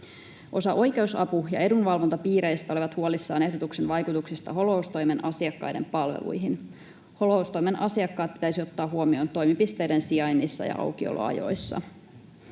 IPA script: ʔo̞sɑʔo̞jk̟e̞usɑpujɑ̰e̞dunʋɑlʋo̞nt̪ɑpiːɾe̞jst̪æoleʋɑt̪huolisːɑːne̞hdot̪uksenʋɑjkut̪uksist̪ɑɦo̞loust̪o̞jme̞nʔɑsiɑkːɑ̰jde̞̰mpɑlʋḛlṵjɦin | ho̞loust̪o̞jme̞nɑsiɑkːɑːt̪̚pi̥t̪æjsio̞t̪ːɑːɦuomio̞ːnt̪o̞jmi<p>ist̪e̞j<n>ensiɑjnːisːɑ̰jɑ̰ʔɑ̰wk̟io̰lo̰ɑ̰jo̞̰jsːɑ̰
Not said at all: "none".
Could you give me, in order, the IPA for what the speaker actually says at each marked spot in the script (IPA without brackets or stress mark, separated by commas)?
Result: p, d